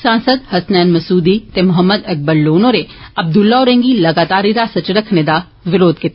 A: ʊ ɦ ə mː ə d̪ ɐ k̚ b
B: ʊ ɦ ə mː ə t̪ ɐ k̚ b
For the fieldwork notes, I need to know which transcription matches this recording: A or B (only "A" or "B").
A